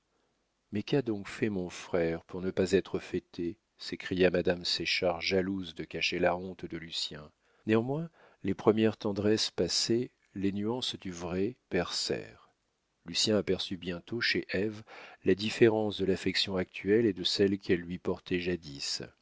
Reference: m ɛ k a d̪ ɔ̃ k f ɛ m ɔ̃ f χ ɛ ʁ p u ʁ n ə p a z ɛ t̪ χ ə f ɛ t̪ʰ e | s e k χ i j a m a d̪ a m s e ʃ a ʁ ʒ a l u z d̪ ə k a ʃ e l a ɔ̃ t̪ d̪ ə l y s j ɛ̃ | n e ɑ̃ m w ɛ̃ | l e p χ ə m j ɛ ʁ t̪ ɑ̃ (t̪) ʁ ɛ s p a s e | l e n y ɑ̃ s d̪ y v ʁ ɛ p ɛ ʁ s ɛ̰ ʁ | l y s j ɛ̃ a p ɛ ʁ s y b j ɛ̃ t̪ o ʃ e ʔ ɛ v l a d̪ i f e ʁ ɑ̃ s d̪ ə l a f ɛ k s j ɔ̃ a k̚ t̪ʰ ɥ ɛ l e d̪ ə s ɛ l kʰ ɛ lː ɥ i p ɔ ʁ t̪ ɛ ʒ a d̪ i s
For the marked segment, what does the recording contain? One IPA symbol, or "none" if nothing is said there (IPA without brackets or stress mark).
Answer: d̪